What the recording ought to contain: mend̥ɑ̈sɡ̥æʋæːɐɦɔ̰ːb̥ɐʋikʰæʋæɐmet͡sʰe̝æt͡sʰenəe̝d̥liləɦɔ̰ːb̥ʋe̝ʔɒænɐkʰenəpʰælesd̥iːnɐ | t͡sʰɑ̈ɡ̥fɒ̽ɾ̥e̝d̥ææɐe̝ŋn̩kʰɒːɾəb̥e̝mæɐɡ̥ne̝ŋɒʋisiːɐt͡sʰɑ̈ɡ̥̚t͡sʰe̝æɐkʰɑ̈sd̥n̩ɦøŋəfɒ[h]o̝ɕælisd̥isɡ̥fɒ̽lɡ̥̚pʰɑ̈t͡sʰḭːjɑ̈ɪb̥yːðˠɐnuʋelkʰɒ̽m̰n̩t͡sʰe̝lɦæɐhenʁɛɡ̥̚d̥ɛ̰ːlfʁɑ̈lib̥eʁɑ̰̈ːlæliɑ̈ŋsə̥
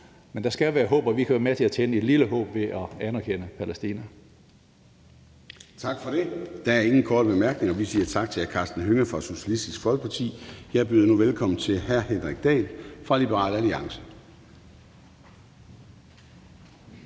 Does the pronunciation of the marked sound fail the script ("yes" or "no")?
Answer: yes